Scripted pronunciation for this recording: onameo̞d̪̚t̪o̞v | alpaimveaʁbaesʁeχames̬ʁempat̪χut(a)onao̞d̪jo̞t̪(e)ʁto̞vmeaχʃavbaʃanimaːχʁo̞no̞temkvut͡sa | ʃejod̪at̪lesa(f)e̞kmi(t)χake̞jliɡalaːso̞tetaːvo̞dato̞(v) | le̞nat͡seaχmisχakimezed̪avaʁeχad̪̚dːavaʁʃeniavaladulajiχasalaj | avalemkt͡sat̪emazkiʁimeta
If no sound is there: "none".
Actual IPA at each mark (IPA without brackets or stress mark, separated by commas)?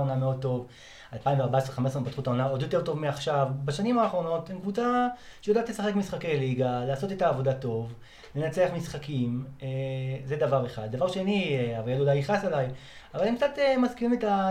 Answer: a, e, χ, s, v